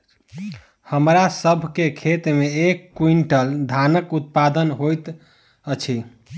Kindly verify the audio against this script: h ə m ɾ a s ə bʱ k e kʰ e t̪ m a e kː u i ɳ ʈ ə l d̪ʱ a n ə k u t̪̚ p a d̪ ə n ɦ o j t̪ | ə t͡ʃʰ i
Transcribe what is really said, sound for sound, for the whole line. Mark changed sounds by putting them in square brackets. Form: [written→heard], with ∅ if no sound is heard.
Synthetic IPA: h ə m ɾ a s ə bʱ k e kʰ e t̪ m [a→e] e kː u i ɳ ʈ ə l d̪ʱ a n ə k u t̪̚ p a d̪ ə n ɦ o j t̪ | ə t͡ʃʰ i

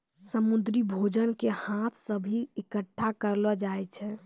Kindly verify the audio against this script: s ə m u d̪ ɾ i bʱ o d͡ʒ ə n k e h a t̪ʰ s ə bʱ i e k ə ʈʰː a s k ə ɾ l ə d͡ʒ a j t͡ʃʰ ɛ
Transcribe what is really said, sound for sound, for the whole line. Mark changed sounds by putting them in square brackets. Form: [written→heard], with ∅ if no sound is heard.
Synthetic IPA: s ə m u d̪ ɾ i bʱ o d͡ʒ ə n k e h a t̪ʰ s ə bʱ i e k ə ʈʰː a [s→∅] k ə ɾ l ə d͡ʒ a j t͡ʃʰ ɛ

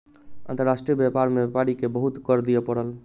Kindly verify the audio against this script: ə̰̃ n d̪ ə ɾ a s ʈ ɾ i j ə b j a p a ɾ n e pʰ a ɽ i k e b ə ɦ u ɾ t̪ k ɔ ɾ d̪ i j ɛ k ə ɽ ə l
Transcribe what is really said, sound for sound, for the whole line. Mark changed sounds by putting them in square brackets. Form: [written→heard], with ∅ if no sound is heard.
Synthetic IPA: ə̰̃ n [d̪→t̪] ə ɾ a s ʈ ɾ i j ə b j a p a ɾ [n→m] e [pʰ→p] a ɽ i k e b ə ɦ u [ɾ→∅] t̪ k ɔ ɾ d̪ i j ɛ [k→p] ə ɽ ə l

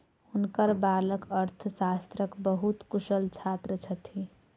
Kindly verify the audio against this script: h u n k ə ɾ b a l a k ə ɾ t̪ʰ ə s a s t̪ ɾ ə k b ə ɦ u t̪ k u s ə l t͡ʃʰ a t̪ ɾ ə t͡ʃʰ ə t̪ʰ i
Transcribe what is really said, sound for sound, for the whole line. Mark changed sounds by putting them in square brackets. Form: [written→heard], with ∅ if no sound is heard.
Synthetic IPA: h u n k ə ɾ b a l [a→ə] k ə ɾ t̪ʰ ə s a s t̪ ɾ ə k b ə ɦ u t̪ k u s ə l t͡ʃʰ a t̪ ɾ ə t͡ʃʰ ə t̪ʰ i

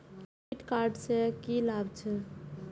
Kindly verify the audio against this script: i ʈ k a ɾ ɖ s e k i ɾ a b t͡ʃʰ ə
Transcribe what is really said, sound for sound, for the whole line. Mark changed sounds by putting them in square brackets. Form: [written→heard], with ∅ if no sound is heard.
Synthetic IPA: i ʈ k a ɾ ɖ s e k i [ɾ→l] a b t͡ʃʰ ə

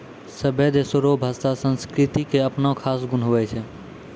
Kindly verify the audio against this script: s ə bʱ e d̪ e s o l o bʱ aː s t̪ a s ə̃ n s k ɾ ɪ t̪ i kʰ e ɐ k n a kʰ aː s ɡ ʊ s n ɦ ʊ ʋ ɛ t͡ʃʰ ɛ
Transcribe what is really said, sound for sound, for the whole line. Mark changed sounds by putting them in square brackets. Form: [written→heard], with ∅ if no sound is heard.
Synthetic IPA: s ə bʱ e d̪ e s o [l→ɾ] o bʱ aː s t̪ a s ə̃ n s k ɾ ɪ t̪ i [kʰ→k] e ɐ [k→p] n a kʰ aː s ɡ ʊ [s→∅] n ɦ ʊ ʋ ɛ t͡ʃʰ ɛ

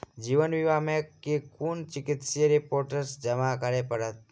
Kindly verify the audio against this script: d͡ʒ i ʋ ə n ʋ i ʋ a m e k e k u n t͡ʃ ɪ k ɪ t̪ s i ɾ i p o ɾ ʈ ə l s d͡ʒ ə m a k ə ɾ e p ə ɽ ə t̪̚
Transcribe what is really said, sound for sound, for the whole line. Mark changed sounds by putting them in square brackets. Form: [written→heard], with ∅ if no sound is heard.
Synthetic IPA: d͡ʒ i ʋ ə n ʋ i ʋ a m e k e k u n t͡ʃ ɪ k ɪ t̪ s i ɾ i p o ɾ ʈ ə [l→ɾ] s d͡ʒ ə m a k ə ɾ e p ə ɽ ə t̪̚

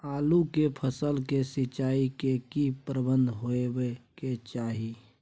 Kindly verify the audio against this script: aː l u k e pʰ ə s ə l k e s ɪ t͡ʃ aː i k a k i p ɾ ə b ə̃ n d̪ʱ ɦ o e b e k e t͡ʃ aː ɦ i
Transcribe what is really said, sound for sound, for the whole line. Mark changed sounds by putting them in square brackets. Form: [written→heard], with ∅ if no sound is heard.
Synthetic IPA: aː l u k e pʰ ə s ə l k e s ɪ t͡ʃ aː i k [a→e] k i p ɾ ə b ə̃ n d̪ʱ ɦ o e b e k e t͡ʃ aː ɦ i

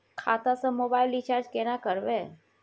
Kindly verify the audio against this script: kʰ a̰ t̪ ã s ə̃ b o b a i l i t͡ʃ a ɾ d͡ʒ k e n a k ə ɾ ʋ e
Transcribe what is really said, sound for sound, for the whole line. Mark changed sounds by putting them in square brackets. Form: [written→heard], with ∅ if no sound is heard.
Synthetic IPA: kʰ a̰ t̪ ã s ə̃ [b→m] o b a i l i t͡ʃ a ɾ d͡ʒ k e n a k ə ɾ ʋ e

